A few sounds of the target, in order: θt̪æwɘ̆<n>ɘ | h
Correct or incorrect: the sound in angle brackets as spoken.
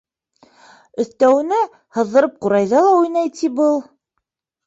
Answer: correct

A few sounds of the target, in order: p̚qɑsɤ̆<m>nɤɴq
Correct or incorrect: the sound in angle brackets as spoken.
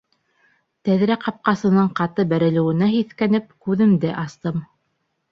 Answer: incorrect: none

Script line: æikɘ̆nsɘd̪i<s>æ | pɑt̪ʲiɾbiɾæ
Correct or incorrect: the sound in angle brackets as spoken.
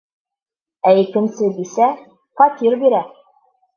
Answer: correct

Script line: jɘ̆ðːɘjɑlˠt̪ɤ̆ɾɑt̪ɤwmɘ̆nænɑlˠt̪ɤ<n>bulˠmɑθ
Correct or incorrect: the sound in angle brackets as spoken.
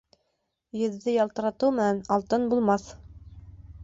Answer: correct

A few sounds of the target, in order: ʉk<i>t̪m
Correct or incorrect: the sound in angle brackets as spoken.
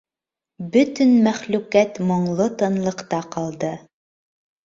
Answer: incorrect: æ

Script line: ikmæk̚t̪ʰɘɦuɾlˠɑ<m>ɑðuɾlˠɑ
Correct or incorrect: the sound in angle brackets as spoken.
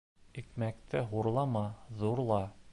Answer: correct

